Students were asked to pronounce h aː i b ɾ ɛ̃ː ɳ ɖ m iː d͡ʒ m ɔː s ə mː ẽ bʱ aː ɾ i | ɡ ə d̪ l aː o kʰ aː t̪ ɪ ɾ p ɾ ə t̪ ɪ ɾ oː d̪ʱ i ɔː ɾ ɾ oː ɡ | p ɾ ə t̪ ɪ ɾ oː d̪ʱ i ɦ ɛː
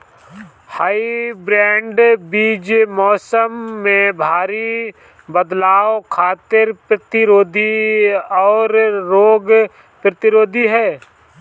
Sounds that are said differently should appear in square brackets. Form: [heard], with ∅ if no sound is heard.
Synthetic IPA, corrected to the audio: h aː i b ɾ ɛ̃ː ɳ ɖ [b] iː d͡ʒ m ɔː s ə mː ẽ bʱ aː ɾ i | [b] ə d̪ l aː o kʰ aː t̪ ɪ ɾ p ɾ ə t̪ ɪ ɾ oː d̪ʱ i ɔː ɾ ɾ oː ɡ | p ɾ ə t̪ ɪ ɾ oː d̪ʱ i ɦ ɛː